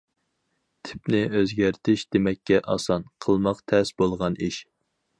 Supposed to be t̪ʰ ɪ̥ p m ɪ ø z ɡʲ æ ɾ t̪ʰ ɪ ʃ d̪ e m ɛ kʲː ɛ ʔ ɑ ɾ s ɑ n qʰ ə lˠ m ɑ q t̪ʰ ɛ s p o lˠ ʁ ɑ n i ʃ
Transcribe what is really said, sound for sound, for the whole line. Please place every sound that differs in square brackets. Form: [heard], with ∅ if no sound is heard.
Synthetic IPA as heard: t̪ʰ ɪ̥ p [n] ɪ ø z ɡʲ æ ɾ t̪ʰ ɪ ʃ d̪ e m ɛ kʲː ɛ ʔ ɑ [∅] s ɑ n qʰ ə lˠ m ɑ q t̪ʰ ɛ s [b] o lˠ ʁ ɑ n i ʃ